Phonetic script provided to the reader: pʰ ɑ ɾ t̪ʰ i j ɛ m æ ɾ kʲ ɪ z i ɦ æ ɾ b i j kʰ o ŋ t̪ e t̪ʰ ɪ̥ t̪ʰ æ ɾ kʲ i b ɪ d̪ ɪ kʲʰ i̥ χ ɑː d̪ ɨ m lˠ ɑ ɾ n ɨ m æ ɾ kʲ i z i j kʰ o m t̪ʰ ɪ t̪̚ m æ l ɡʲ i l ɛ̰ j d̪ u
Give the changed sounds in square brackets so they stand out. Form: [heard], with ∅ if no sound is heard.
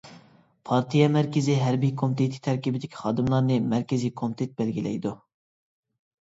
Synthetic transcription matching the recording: pʰ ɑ ɾ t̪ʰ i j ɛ m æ ɾ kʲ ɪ z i ɦ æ ɾ b i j kʰ o [m] t̪ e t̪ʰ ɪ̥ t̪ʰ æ ɾ kʲ i b ɪ d̪ ɪ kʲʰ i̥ χ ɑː d̪ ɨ m lˠ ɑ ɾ n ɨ m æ ɾ kʲ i z i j kʰ o m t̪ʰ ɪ t̪̚ [b] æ l ɡʲ i l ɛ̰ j d̪ u